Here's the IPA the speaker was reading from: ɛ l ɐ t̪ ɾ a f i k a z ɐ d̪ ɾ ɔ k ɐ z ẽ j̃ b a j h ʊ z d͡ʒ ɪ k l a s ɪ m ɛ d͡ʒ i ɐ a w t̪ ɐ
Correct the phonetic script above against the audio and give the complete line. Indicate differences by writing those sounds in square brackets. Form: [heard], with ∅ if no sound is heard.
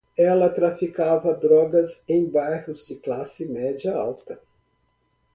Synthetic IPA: ɛ l ɐ t̪ ɾ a f i k a [v] ɐ d̪ ɾ ɔ [ɡ] ɐ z ẽ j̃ b a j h ʊ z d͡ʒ ɪ k l a s ɪ m ɛ d͡ʒ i ɐ a w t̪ ɐ